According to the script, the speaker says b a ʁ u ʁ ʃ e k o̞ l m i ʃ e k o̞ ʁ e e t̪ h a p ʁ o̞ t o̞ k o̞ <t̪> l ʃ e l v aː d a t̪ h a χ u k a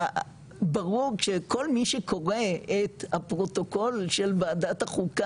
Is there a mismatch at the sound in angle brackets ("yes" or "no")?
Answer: yes